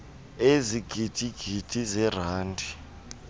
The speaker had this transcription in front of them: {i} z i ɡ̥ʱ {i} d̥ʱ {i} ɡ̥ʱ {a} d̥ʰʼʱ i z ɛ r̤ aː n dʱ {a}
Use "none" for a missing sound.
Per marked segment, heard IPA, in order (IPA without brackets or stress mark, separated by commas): e, i, i, i, i